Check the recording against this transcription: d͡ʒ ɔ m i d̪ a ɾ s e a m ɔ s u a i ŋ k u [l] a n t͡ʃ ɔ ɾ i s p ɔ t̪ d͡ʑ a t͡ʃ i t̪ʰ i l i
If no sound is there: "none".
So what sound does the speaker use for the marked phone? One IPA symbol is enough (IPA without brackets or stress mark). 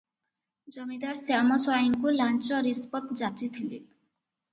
l